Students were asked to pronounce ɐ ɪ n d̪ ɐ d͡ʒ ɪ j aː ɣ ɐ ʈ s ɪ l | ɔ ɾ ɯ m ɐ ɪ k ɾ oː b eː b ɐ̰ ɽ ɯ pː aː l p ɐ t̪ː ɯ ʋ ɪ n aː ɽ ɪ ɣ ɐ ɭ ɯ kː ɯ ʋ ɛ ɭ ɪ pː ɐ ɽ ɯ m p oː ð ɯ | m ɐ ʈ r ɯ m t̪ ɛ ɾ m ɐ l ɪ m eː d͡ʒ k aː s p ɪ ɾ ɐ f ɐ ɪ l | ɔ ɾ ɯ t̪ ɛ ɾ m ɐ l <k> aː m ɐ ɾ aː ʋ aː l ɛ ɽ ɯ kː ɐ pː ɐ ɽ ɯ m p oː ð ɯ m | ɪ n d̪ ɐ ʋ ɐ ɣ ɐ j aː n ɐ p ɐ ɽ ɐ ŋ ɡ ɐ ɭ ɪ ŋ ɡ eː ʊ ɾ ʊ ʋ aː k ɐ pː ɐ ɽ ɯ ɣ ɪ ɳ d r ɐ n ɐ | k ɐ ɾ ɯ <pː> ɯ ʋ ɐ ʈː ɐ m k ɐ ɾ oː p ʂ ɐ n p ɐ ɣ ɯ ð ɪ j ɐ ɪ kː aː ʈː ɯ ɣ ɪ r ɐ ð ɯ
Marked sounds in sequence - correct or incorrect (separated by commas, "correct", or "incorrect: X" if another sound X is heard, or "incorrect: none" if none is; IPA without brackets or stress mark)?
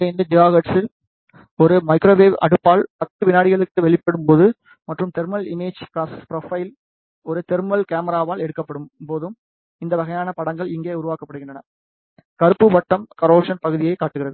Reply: correct, correct